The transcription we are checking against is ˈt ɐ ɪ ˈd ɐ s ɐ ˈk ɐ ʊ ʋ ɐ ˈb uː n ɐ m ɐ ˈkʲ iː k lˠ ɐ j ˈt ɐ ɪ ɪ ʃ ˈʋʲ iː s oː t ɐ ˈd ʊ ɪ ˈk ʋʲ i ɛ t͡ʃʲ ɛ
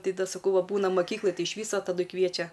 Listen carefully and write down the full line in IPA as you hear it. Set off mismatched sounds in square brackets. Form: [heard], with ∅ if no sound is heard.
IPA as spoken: ˈt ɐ ɪ ˈd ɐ s ɐ ˈk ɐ ʊ ʋ ɐ ˈb uː n ɐ m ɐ ˈkʲ iː k lˠ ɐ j ˈt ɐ ɪ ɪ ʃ ˈʋʲ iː s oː t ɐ ˈd ʊ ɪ ˈk ʋʲ i ɛ t͡ʃʲ ɛ